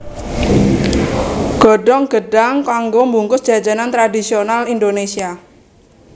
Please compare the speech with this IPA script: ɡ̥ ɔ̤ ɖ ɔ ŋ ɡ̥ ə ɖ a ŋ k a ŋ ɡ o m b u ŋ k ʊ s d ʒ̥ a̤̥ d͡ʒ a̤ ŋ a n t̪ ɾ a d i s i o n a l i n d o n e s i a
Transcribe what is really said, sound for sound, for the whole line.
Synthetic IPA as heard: ɡ̥ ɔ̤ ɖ ɔ ŋ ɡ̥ ə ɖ a ŋ k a ŋ ɡ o m b u ŋ k ʊ s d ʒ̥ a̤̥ d͡ʒ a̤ n a n t̪ ɾ a d i s i o n a l i n d o n e s i a